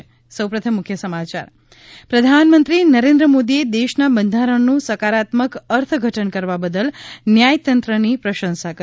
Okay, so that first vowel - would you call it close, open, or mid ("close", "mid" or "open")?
mid